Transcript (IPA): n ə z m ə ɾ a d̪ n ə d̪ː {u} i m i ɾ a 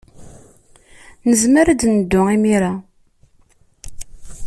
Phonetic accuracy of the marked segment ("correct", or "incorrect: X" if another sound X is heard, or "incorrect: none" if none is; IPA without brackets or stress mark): incorrect: ʊ